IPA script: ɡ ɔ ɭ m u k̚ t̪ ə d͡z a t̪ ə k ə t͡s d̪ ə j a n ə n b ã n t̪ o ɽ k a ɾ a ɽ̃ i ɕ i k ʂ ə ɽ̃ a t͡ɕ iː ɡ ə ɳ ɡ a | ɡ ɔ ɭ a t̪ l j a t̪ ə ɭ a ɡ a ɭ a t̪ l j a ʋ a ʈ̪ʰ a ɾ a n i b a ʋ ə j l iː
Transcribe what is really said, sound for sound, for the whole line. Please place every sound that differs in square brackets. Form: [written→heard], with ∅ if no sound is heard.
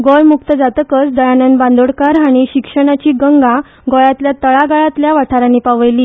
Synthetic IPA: ɡ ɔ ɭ m u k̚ t̪ ə d͡z a t̪ ə k ə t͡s d̪ ə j a n ə n b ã n [t̪→d̪] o ɽ k a ɾ a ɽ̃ i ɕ i k ʂ ə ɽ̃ a t͡ɕ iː ɡ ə [ɳ→ŋ] ɡ a | ɡ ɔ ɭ a t̪ l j a t̪ ə ɭ a ɡ a ɭ a t̪ l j a ʋ a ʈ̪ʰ a ɾ a n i [b→p] a ʋ ə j l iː